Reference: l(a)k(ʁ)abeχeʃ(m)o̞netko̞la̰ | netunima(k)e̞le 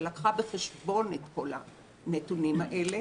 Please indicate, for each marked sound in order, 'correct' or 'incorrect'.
correct, incorrect: χ, incorrect: b, incorrect: ʔ

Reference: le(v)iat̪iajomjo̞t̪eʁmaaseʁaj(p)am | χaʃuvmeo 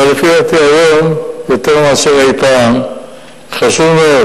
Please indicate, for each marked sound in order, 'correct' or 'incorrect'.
incorrect: f, correct

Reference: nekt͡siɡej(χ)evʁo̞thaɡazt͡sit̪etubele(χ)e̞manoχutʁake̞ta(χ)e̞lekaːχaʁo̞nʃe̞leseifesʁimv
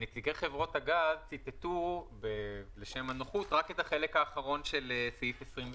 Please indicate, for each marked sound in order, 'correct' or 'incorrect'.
correct, incorrect: ʃ, correct

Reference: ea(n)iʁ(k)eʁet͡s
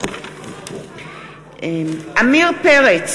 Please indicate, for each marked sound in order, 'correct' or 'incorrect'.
incorrect: m, incorrect: p

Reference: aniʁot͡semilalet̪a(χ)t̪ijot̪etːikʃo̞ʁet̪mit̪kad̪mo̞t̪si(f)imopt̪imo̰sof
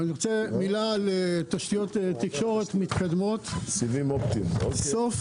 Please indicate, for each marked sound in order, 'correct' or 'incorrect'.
incorrect: ʃ, incorrect: v

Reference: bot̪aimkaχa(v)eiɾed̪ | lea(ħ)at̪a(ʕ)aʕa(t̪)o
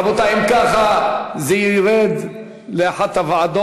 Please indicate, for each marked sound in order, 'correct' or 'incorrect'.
incorrect: z, correct, incorrect: v, incorrect: d̪

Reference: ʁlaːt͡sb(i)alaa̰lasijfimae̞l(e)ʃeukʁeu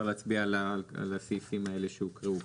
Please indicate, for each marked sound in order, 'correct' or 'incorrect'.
correct, correct

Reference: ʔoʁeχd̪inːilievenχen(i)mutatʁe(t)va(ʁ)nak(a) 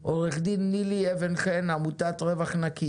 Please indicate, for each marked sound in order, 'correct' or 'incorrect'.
incorrect: a, incorrect: none, incorrect: χ, incorrect: i

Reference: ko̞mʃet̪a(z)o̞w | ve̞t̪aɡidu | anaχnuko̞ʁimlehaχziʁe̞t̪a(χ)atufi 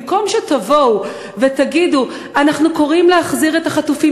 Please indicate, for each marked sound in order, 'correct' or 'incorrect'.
incorrect: v, correct

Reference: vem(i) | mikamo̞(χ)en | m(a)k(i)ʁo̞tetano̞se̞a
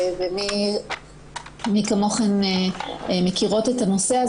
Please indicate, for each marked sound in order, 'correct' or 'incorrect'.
correct, correct, incorrect: e, correct

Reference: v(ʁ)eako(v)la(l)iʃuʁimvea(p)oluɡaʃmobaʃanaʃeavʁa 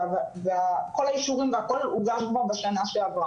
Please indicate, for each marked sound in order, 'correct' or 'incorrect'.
incorrect: v, incorrect: none, incorrect: none, incorrect: k

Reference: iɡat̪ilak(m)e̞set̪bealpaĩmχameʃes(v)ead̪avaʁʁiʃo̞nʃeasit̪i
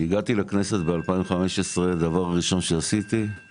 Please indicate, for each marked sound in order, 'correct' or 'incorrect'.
incorrect: n, incorrect: ʁ

